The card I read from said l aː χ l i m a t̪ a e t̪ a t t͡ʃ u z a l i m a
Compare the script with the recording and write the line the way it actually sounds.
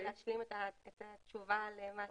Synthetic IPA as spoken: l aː ʃ l i m e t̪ a e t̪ a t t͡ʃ u v a l e m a